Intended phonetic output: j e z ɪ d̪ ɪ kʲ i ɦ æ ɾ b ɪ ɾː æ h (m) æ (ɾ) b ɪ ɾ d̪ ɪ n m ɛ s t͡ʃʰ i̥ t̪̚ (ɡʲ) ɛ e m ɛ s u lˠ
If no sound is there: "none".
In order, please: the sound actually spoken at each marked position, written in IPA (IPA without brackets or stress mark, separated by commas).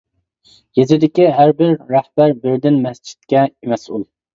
b, ɾ, kʲ